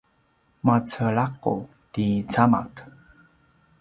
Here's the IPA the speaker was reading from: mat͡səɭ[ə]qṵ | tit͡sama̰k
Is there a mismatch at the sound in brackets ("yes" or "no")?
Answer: yes